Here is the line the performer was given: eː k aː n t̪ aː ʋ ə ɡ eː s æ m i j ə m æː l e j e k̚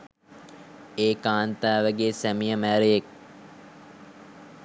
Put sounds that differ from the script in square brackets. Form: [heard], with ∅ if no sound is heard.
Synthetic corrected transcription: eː k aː n t̪ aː ʋ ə ɡ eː s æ m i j ə m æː [ɾ] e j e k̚